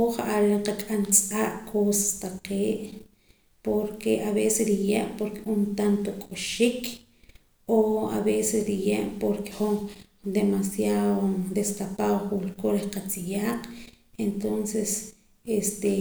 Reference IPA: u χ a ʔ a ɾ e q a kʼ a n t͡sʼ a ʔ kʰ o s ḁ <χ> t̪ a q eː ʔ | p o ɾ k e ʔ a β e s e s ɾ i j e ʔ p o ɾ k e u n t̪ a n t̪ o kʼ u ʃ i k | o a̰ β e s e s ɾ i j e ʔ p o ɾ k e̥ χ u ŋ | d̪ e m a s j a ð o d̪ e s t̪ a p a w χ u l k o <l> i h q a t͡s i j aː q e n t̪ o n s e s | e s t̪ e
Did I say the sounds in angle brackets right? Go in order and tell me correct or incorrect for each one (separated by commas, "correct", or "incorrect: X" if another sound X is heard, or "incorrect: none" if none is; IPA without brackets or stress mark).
incorrect: s, incorrect: ɾ